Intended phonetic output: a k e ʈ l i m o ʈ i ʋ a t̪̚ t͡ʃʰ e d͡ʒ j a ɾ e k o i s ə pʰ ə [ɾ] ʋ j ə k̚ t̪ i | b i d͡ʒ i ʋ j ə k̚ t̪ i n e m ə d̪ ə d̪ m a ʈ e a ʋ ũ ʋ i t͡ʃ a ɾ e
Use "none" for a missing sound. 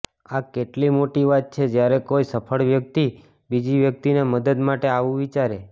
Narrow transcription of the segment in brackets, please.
ɭ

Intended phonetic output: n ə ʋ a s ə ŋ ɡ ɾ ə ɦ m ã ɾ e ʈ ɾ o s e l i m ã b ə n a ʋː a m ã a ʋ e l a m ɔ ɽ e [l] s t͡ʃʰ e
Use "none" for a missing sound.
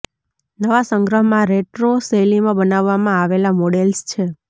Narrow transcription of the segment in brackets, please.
l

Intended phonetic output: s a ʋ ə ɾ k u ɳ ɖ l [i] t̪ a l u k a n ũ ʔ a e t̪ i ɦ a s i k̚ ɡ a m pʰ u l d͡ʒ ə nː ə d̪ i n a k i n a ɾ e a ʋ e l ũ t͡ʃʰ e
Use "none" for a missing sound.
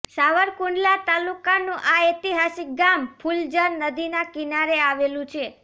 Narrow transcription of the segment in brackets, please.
a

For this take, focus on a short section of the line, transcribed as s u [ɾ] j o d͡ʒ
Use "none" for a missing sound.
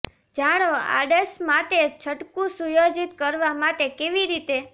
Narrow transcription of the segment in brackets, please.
none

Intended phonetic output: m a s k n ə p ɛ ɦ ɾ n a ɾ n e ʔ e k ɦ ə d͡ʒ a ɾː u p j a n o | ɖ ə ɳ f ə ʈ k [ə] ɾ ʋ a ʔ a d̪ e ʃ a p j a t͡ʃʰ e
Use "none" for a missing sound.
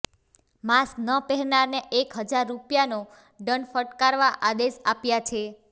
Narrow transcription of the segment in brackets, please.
a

